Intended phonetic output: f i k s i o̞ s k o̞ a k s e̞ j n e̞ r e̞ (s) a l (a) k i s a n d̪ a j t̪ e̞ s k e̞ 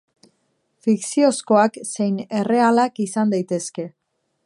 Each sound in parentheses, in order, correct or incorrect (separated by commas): incorrect, correct